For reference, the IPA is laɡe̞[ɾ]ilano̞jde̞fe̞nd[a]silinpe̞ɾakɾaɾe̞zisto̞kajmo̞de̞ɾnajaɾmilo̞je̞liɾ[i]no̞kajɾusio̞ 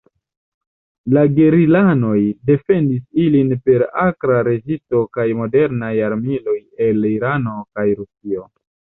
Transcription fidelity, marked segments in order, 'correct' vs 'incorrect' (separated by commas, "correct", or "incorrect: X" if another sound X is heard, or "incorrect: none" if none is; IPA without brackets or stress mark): correct, incorrect: i, incorrect: a